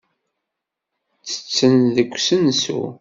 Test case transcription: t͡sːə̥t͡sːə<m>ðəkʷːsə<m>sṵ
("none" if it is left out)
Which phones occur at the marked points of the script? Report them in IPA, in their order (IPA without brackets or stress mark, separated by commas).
n, n